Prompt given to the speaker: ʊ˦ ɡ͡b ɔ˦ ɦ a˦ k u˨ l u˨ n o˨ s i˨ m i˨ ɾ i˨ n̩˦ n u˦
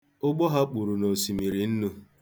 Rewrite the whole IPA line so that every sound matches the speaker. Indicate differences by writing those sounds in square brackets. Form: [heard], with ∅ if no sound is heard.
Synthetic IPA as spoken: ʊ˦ ɡ͡b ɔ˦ ɦ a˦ [k͡p] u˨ [ɾ] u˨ n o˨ s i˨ m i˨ ɾ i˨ n̩˦ n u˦